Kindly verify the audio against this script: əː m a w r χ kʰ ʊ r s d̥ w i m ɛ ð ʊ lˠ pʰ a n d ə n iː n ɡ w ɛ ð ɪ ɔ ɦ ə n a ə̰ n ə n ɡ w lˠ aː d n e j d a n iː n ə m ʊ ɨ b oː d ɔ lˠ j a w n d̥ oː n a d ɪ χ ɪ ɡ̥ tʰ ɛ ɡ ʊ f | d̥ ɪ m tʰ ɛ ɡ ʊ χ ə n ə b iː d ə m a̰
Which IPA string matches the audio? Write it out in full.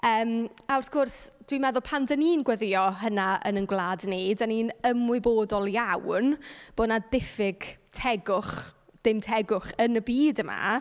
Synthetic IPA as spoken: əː m a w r θ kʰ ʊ r s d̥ w i m ɛ ð ʊ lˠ pʰ a n d ə n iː n ɡ w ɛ ð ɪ ɔ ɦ ə n a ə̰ n ə n ɡ w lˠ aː d n e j d a n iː n ə m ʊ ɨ b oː d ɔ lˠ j a w n b̥ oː n a d ɪ f ɪ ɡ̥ tʰ ɛ ɡ ʊ χ | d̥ ɪ m tʰ ɛ ɡ ʊ χ ə n ə b iː d ə m a̰

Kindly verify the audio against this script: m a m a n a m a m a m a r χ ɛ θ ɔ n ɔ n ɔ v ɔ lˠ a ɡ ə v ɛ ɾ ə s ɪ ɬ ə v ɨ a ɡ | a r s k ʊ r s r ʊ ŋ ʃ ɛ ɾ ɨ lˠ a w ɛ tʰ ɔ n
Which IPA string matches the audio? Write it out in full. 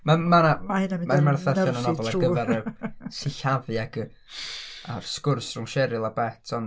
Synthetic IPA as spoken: m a m a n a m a m a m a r θ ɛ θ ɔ n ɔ n ɔ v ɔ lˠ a ɡ ə v ɛ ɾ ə s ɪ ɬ a v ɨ a ɡ | a r s k ʊ r s r ʊ ŋ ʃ ɛ ɾ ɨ lˠ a b ɛ tʰ ɔ n

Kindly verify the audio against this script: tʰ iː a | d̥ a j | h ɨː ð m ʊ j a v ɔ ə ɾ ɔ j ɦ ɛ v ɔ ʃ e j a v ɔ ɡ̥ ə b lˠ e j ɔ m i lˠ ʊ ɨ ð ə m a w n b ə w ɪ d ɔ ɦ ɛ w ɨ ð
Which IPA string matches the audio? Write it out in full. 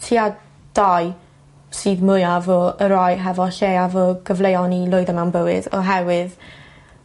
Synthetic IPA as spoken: tʰ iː a | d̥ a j | s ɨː ð m ʊ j a v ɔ ə ɾ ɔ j ɦ ɛ v ɔ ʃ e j a v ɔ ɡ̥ ə v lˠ e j ɔ n i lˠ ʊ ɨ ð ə m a w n b ə w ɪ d ɔ ɦ ɛ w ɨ ð

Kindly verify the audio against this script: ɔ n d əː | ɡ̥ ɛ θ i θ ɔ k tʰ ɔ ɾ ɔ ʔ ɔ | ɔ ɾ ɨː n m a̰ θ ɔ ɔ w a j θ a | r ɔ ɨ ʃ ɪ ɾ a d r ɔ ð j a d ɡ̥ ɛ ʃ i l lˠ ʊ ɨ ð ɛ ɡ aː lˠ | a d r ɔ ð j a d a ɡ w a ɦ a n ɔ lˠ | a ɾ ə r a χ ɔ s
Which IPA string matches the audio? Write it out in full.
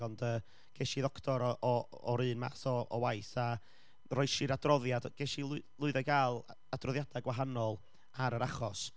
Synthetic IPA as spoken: ɔ n d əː | ɡ̥ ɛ ʃ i ð ɔ k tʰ ɔ ɾ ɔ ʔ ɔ | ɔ ɾ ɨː n m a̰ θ ɔ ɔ w a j θ a | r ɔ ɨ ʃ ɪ ɾ a d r ɔ ð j a d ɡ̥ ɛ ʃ i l lˠ ʊ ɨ ð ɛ ɡ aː lˠ | a d r ɔ ð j a d a ɡ w a ɦ a n ɔ lˠ | a ɾ ə ɾ a χ ɔ s

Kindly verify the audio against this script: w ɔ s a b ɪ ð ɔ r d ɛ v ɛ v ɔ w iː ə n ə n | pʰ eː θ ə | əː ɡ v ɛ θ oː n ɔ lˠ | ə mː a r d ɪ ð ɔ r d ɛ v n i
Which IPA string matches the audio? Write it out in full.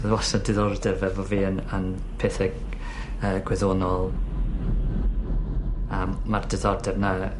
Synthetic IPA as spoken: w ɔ s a d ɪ ð ɔ r d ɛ v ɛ v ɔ v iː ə n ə n | pʰ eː θ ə | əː ɡ w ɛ ð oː n ɔ lˠ | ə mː a r d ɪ ð ɔ r d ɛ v n a

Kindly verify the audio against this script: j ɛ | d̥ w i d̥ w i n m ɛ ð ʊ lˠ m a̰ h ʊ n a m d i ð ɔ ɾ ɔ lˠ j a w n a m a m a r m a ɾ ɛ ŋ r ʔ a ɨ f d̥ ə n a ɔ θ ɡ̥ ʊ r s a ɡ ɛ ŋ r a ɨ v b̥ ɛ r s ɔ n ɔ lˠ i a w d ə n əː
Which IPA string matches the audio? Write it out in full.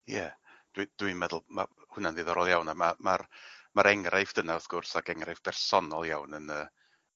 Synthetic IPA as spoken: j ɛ | d̥ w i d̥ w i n m ɛ ð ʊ lˠ m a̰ h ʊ n a n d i ð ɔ ɾ ɔ lˠ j a w n a m a m a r m a ɾ ɛ ŋ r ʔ a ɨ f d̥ ə n a ɔ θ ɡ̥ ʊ r s a ɡ ɛ ŋ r a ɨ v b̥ ɛ r s ɔ n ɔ lˠ j a w n ə n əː

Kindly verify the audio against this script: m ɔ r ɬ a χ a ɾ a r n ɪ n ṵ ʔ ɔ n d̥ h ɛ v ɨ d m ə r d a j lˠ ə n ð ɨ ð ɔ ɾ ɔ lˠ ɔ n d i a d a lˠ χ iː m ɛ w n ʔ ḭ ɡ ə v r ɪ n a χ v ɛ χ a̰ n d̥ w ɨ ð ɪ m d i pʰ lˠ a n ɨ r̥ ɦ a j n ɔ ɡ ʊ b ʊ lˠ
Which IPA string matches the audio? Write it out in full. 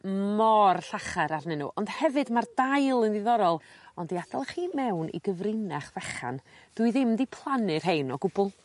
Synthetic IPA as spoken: m ɔ r ɬ a χ a ɾ a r n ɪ n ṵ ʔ ɔ n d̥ h ɛ v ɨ d m a r d a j lˠ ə n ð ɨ ð ɔ ɾ ɔ lˠ ɔ n d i a d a lˠ χ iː m ɛ w n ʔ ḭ ɡ ə v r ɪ n a χ v ɛ χ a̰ n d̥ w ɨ ð ɪ m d i pʰ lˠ a n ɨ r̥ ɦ e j n ɔ ɡ ʊ b ʊ lˠ

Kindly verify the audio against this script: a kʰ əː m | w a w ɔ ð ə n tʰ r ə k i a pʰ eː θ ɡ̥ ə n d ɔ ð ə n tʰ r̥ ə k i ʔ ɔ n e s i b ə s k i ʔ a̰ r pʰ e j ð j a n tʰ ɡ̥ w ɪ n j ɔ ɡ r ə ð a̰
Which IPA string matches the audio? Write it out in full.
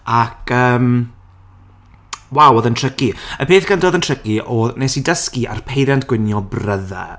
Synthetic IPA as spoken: a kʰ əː m | w a w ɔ ð ə n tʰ r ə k i ə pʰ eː θ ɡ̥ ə n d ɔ ð ə n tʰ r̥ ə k i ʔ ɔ n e s i d ə s k i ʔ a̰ r pʰ e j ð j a n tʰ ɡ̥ w ɪ n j ɔ b r ə ð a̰

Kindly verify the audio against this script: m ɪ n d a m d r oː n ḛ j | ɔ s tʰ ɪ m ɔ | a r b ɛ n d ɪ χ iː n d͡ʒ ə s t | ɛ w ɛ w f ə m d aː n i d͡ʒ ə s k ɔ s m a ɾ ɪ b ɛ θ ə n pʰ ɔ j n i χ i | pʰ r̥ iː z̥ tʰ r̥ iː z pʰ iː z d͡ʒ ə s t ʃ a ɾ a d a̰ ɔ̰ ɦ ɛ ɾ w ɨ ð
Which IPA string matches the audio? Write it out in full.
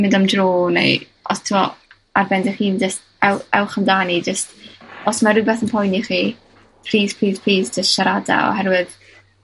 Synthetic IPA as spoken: m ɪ n d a m d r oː n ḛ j | ɔ s tʰ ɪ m ɔ | a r b ɛ n d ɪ χ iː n d͡ʒ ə s t | ɛ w ɛ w χ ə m d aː n i d͡ʒ ə s t ɔ s m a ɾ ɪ b ɛ θ ə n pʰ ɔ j n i χ i | pʰ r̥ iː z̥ pʰ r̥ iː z pʰ iː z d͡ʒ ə s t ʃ a ɾ a d a̰ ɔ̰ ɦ ɛ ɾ w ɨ ð

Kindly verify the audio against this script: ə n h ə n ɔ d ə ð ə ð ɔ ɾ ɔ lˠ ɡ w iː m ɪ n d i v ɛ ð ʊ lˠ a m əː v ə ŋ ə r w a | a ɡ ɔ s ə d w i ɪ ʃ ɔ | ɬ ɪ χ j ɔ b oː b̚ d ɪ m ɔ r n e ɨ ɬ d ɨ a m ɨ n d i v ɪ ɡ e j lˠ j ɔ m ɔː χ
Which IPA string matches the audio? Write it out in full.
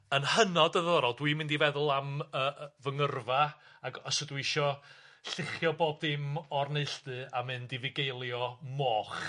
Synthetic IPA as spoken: ə n h ə n ɔ d ə ð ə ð ɔ ɾ ɔ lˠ d w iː m ɪ n d i v ɛ ð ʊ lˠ a m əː v ə ŋ ə r v a | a ɡ ɔ s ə d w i ɪ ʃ ɔ | ɬ ɪ χ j ɔ b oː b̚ d ɪ m ɔ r n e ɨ ɬ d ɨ a m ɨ n d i v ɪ ɡ e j lˠ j ɔ m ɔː χ

